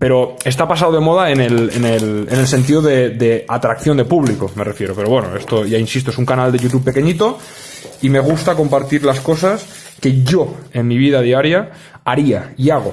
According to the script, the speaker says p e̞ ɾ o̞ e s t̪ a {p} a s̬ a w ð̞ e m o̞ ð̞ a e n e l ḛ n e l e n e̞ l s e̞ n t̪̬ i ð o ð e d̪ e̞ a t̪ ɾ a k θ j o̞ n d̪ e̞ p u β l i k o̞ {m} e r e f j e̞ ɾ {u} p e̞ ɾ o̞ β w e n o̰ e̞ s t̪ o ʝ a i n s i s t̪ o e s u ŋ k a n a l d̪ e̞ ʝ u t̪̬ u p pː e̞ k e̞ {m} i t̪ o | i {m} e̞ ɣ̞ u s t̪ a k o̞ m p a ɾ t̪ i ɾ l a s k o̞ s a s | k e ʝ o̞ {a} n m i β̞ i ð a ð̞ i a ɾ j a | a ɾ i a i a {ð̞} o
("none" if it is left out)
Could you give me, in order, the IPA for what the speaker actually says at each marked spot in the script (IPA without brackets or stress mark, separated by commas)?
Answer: p, m, o, ɲ, m, e, ɣ̞